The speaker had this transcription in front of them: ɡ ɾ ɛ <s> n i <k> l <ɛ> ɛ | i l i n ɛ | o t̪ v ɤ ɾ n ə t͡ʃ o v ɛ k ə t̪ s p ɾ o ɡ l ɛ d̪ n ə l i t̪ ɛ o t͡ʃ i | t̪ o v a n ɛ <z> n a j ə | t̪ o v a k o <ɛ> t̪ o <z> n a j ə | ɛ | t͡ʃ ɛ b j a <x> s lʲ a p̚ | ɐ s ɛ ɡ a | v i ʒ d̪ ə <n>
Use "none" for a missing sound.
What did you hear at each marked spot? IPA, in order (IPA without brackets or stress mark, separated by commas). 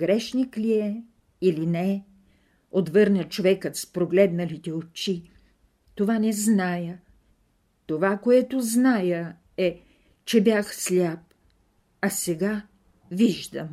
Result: ʃ, k, i, z, ɛ, z, x, m